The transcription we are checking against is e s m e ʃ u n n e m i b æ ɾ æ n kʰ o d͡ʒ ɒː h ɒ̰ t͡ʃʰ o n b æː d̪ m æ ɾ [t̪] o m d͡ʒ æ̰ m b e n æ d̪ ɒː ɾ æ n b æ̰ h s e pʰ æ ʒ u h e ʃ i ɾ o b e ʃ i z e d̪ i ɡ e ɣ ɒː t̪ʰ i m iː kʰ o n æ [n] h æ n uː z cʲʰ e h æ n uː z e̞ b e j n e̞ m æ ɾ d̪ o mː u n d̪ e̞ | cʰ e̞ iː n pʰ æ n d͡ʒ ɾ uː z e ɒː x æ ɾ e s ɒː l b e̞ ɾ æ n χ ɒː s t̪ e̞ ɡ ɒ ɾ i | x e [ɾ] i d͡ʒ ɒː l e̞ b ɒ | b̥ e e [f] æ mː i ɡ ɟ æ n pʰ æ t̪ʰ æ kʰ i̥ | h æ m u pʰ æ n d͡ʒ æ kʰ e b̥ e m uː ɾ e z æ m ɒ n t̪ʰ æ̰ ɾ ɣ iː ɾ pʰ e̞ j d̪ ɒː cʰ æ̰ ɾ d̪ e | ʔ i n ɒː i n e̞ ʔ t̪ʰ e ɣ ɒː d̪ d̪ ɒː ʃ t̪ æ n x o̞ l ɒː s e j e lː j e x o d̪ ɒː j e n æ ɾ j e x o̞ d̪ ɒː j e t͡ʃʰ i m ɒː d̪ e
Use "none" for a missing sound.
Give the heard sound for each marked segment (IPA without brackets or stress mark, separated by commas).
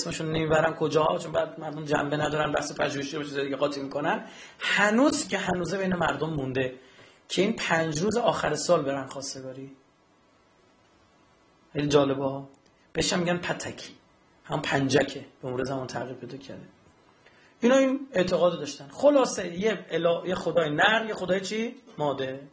d̪, n, l, ʃ